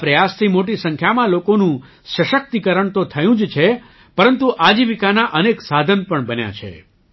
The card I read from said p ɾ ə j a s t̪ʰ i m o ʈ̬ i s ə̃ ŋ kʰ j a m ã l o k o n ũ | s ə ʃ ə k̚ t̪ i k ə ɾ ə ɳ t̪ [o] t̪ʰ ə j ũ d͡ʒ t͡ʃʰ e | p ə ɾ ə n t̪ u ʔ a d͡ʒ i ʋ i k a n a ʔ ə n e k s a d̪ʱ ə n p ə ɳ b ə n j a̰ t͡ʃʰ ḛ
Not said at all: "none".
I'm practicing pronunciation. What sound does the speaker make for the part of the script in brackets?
o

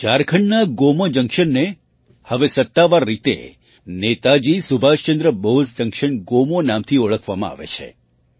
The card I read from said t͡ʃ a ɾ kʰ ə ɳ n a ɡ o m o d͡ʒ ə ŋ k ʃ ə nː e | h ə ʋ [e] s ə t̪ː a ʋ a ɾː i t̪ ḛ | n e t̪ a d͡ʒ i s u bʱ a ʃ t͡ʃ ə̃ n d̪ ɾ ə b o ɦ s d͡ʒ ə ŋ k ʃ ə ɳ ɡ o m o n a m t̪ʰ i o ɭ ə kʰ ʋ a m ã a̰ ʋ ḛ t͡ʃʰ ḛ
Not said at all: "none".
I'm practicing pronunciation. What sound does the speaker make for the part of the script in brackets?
e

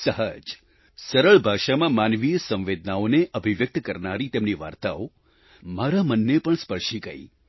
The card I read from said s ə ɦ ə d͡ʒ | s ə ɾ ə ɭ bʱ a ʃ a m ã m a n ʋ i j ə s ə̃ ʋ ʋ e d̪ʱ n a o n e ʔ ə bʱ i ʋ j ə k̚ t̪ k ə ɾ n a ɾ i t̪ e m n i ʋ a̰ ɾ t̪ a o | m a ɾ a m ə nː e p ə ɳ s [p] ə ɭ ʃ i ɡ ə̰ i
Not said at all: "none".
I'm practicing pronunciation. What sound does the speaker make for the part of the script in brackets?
p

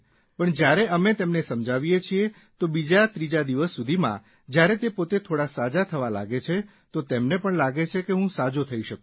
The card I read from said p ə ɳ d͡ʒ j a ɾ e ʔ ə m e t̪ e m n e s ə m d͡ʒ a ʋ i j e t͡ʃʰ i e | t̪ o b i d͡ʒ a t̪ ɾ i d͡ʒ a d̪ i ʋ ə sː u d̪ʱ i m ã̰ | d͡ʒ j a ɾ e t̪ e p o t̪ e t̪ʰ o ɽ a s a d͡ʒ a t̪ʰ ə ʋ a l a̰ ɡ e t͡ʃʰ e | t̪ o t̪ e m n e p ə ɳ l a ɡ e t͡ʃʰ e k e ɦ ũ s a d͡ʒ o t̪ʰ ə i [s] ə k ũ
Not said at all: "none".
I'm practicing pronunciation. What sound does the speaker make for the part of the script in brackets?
ʃ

